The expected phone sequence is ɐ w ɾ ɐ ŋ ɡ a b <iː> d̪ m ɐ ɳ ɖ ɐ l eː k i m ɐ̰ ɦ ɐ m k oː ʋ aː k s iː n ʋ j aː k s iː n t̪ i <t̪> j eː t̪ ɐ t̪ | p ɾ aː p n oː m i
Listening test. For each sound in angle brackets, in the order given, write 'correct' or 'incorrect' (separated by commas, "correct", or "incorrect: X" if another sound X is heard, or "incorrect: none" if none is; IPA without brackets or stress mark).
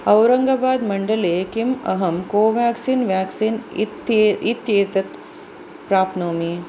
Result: incorrect: aː, correct